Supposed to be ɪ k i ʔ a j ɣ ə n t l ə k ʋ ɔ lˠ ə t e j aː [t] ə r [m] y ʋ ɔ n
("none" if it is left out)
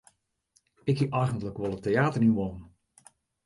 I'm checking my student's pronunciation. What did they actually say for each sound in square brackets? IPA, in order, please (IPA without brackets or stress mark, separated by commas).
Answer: t, n